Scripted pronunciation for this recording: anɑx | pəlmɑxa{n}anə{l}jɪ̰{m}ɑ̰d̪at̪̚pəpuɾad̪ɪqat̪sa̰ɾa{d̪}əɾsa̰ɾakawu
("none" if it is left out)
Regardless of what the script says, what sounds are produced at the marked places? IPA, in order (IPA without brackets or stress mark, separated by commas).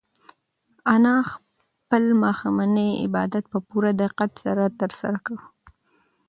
m, none, b, t̪